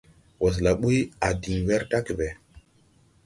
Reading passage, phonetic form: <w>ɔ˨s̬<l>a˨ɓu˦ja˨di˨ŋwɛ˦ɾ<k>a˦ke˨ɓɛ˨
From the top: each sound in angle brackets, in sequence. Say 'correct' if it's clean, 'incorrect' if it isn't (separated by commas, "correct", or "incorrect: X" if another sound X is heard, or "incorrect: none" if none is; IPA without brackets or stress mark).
correct, correct, incorrect: t